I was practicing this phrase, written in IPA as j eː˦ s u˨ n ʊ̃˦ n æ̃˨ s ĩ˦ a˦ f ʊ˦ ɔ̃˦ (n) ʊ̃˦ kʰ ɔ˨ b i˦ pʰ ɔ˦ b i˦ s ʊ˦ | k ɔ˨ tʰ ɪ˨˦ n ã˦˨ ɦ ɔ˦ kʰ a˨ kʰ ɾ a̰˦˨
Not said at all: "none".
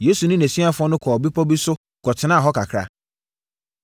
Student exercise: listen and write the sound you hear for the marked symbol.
n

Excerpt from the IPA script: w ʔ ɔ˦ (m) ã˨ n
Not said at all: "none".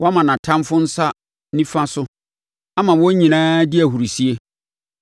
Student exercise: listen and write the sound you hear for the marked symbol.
m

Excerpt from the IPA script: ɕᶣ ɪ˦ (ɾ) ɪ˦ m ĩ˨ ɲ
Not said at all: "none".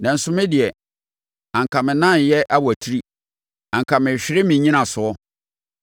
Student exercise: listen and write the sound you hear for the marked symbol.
ɾ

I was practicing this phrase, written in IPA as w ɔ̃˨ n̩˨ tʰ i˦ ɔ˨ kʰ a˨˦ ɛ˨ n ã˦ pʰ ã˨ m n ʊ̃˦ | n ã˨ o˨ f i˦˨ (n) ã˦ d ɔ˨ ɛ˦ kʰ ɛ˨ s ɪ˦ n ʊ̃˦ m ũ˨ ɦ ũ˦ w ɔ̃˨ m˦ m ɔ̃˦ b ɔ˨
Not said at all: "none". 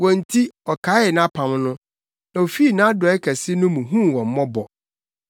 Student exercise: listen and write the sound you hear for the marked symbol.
n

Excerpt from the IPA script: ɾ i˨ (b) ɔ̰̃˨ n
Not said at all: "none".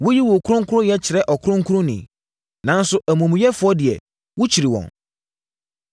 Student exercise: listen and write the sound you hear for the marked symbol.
w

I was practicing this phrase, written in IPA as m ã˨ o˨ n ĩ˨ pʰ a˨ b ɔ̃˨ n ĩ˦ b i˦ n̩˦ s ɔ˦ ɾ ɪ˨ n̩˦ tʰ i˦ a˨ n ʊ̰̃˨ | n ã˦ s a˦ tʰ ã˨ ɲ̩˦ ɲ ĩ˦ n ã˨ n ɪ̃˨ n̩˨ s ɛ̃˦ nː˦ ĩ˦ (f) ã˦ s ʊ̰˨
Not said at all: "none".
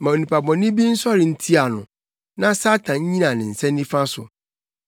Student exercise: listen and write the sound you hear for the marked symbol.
f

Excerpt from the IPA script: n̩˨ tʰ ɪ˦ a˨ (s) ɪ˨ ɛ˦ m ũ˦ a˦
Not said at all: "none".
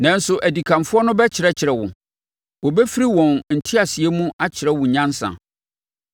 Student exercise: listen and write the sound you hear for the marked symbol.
s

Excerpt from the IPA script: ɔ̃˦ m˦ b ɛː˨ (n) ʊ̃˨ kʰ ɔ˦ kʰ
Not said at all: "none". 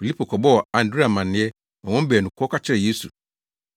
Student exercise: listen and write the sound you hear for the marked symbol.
n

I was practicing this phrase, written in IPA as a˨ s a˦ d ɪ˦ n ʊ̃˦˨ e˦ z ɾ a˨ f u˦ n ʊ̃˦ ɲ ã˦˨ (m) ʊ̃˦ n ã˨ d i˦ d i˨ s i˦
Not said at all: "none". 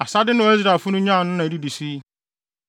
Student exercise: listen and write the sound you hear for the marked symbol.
n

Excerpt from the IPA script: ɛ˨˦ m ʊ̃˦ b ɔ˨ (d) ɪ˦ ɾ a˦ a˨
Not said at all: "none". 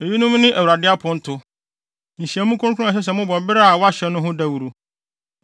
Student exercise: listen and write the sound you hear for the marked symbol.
b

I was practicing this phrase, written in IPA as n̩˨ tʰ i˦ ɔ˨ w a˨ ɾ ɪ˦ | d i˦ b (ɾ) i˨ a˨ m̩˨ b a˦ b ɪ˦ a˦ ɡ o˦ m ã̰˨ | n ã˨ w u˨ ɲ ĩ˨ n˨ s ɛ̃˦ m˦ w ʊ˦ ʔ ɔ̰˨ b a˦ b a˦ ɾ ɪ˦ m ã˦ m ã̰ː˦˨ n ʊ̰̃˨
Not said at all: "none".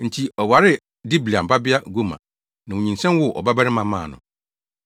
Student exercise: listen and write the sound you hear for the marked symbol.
l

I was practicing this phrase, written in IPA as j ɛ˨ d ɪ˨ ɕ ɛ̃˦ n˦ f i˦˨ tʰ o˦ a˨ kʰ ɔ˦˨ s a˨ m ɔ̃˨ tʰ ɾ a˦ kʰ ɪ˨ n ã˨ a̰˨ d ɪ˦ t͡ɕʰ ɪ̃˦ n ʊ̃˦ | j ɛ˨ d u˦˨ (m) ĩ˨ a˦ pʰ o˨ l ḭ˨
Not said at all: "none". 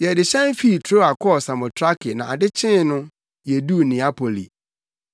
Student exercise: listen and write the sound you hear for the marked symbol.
n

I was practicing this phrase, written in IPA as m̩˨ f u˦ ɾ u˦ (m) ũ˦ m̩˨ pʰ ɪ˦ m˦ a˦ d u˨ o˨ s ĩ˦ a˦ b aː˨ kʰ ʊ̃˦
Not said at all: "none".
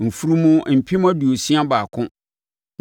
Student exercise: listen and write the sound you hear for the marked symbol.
m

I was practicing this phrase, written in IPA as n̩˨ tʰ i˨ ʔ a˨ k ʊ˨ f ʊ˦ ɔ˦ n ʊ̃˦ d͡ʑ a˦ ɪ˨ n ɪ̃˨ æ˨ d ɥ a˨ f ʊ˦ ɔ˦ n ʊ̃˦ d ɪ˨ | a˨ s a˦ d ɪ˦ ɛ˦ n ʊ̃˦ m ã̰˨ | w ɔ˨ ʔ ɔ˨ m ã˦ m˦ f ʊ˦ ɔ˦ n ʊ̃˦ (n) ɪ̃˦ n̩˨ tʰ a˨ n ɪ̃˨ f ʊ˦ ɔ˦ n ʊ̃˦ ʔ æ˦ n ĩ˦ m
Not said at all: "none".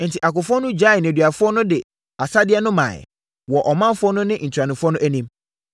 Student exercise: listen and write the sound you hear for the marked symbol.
n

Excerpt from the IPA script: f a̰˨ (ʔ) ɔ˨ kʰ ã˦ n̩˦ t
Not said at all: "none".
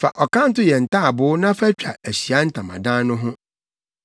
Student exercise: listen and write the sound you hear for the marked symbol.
ʔ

